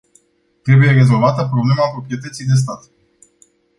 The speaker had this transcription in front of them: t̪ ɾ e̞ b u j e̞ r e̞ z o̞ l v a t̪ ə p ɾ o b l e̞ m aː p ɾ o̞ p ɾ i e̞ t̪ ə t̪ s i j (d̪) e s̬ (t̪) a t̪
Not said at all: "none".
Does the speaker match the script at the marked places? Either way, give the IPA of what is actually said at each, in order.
d̪, t̪

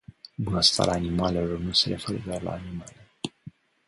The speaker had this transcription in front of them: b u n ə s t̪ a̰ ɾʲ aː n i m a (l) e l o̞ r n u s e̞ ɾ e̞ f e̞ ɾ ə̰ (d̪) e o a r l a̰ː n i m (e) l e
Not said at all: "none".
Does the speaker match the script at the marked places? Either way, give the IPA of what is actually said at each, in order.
l, d̪, a

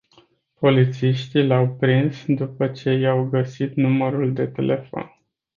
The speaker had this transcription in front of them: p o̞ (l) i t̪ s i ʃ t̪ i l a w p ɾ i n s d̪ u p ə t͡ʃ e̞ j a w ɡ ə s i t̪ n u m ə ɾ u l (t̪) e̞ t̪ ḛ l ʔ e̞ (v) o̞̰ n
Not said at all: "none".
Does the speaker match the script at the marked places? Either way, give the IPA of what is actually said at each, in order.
l, d̪, f

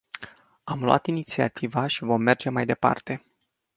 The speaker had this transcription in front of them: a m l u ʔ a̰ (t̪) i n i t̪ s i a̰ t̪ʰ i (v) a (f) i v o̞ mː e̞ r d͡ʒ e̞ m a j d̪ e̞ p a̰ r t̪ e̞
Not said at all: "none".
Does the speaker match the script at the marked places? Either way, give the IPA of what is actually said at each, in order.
t̪, v, ʃ

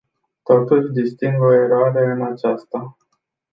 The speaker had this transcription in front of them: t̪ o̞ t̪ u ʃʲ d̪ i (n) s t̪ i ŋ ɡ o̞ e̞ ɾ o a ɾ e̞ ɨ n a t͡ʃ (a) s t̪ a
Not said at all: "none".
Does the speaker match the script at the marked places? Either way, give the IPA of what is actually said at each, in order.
none, a

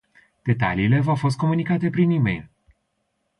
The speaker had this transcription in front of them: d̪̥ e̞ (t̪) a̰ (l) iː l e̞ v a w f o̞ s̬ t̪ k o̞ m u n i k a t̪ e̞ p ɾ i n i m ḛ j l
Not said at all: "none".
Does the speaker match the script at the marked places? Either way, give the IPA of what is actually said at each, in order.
t̪, l

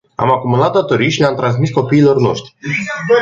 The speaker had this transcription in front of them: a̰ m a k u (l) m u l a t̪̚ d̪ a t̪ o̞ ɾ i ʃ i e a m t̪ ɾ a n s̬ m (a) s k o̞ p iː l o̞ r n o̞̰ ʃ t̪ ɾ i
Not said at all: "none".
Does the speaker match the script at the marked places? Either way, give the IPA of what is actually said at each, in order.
none, i

